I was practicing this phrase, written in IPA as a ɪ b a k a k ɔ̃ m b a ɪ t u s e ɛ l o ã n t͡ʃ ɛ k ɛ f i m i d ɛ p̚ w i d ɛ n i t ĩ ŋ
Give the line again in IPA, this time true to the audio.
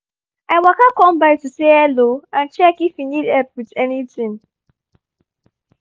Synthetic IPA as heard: a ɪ w a k a k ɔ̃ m b a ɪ t u s e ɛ l o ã n t͡ʃ ɛ k i f i n i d ɛ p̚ w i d ɛ n i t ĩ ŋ